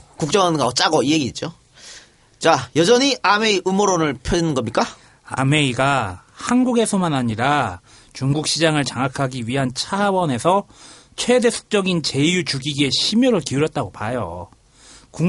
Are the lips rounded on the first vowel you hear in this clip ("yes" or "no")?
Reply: yes